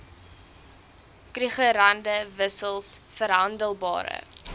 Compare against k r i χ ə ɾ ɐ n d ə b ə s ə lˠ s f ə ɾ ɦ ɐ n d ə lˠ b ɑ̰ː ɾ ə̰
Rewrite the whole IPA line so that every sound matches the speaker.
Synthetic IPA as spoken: k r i χ ə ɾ ɐ n d ə v ə s ə lˠ s f ə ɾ ɦ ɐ n d ə lˠ b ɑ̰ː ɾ ə̰